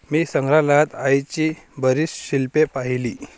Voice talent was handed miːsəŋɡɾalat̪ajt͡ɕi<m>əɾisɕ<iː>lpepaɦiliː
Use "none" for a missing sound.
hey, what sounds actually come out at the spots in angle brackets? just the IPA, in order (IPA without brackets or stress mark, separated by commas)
b, i